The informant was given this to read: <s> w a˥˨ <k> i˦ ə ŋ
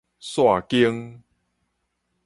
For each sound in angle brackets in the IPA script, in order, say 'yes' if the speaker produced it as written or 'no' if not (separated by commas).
yes, yes